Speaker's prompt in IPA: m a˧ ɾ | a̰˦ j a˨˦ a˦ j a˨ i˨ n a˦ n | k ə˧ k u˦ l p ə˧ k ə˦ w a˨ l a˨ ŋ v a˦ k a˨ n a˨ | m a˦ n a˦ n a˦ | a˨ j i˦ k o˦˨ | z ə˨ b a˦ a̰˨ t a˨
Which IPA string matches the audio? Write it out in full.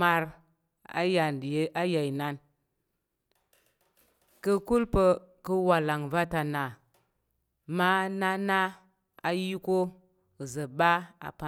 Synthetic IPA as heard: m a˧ ɾ | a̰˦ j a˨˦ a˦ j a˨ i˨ n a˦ n | k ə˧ k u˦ l p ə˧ k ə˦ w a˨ l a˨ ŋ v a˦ t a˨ n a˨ | m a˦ n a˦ n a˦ | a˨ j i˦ k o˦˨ | z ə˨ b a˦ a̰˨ p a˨